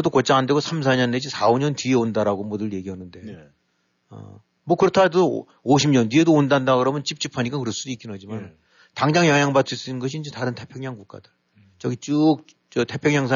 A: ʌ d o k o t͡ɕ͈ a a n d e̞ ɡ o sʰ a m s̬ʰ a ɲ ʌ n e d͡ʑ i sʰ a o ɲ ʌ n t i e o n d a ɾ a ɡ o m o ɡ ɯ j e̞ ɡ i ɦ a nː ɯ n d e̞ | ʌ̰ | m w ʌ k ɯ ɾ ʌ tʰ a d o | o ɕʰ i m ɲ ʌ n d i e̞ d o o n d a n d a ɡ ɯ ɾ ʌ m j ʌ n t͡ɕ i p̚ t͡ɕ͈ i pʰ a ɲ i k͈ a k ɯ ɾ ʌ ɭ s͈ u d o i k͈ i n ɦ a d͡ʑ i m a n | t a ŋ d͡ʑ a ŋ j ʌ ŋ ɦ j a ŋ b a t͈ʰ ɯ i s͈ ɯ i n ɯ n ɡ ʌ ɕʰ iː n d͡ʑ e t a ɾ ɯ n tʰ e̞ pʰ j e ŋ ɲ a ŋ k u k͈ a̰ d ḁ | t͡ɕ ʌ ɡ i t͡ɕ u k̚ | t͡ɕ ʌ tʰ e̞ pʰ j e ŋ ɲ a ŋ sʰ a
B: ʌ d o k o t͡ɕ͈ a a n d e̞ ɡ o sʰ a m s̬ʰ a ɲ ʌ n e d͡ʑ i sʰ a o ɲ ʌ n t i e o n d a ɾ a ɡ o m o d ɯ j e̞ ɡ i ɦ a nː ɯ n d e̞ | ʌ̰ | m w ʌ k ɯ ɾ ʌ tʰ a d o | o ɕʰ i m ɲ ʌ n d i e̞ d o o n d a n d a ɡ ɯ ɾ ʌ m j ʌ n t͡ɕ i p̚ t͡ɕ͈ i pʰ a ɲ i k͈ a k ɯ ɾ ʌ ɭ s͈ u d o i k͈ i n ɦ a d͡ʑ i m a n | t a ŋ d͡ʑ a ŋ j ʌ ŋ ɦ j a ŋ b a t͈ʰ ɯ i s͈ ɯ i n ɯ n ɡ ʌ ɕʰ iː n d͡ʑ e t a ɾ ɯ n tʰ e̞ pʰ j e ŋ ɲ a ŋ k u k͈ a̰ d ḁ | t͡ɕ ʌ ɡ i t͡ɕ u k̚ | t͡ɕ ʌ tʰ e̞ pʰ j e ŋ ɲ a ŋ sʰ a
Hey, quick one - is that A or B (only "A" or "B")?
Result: B